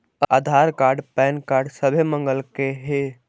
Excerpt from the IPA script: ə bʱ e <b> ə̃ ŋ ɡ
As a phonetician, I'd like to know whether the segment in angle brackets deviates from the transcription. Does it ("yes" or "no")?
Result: yes